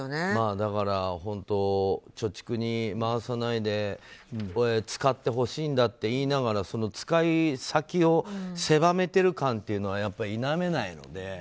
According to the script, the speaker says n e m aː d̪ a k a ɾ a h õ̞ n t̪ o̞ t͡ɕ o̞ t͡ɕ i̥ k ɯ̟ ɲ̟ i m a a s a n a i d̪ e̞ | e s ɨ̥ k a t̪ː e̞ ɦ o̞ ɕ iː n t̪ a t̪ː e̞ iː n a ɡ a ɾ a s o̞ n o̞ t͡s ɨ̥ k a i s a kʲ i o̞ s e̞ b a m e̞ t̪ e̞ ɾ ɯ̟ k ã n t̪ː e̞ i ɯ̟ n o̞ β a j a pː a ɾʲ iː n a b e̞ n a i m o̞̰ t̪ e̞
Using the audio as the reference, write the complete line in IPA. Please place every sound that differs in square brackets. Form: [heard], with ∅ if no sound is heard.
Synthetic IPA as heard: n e m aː d̪ a k a ɾ a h õ̞ n t̪ o̞ t͡ɕ o̞ t͡ɕ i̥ k ɯ̟ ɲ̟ i m a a s a n a i d̪ e̞ | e [t͡s] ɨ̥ k a t̪ː e̞ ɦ o̞ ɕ iː n [d̪] a t̪ː e̞ iː n a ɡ a ɾ a s o̞ n o̞ t͡s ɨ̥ k a i s a kʲ i o̞ s e̞ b a m e̞ t̪ e̞ ɾ ɯ̟ k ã n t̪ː e̞ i ɯ̟ n o̞ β a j a pː a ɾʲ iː n a [m] e̞ n a i [n] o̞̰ [d̪] e̞